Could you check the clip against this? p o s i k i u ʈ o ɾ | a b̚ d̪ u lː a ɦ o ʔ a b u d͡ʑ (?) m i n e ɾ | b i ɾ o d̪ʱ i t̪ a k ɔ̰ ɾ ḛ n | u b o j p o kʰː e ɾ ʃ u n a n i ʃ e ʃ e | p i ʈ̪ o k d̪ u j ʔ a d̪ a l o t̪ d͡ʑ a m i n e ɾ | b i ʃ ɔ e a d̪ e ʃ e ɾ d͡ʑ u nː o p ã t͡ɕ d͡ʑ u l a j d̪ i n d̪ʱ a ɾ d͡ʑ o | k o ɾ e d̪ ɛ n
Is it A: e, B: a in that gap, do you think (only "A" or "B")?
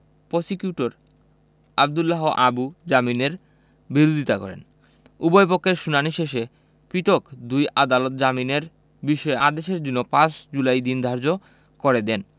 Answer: B